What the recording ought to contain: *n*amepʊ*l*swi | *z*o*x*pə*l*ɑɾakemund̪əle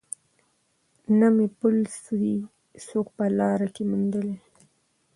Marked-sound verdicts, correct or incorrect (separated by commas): correct, correct, incorrect, incorrect, correct